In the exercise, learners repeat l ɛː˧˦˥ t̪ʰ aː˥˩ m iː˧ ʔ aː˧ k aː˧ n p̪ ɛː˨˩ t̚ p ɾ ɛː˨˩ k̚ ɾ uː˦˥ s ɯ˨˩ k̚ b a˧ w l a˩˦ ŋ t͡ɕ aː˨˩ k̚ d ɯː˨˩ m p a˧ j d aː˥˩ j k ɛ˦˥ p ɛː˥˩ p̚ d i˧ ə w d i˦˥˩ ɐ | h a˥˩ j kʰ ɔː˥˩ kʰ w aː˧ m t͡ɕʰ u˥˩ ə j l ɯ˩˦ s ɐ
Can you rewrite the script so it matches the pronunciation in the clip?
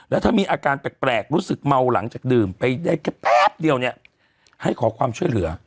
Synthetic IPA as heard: l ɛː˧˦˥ t̪ʰ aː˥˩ m iː˧ ʔ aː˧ k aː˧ n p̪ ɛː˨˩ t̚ p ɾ ɛː˨˩ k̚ ɾ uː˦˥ s ɯ˨˩ k̚ m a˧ w l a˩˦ ŋ t͡ɕ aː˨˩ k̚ d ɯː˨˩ m p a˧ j d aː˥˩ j k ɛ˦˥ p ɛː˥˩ p̚ d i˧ ə w n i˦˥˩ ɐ | h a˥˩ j kʰ ɔː˩˦ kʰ w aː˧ m t͡ɕʰ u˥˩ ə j l ɯ˩˦ ɐ